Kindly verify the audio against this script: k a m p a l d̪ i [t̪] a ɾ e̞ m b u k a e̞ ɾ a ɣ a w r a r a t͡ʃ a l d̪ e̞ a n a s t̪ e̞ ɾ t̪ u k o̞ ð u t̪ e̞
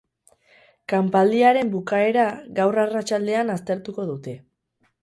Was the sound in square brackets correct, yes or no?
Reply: no